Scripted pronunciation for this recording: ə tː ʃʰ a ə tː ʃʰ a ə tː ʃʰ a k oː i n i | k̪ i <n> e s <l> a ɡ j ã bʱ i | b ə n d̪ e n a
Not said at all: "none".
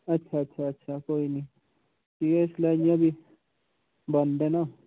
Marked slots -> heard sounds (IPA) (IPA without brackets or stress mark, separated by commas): none, l